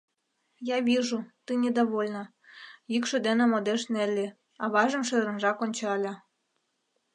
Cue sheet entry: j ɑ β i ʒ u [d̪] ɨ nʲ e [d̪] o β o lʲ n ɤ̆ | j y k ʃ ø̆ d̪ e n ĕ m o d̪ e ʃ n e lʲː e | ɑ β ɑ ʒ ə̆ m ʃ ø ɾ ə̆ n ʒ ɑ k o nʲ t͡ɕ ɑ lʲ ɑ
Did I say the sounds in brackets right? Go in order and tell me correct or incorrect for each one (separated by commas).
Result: incorrect, correct